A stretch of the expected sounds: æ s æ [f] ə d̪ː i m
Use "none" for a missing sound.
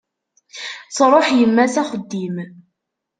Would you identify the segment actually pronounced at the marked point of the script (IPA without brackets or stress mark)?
χ